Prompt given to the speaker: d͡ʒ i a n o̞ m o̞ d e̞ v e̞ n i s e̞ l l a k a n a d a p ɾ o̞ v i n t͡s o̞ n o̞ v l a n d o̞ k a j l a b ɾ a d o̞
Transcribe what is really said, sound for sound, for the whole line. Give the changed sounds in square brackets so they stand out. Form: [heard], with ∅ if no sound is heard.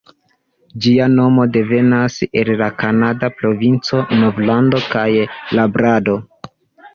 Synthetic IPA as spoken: d͡ʒ i a n o̞ m o̞ d e̞ v e̞ n [a] s e̞ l l a k a n a d a p ɾ o̞ v i n t͡s o̞ n o̞ v l a n d o̞ k a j l a b ɾ a d o̞